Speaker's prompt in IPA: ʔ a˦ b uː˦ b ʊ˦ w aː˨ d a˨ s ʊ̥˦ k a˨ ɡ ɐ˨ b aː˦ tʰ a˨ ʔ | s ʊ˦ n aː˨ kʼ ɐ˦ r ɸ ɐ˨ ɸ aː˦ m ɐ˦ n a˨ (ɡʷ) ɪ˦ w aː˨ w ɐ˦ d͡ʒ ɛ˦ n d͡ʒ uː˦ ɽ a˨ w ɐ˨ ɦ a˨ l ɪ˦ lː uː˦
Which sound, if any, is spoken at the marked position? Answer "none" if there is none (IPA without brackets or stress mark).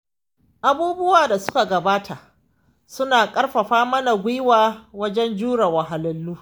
ɡʷ